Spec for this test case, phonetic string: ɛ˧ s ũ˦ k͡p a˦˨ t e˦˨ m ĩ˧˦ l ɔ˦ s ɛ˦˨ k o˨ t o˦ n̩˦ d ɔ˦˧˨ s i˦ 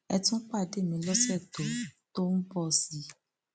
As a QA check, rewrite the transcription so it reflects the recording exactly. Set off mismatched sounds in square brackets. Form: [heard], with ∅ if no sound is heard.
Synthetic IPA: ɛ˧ [t] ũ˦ k͡p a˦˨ [d] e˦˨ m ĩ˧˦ l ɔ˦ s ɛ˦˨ [t] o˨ t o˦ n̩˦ [b] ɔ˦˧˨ s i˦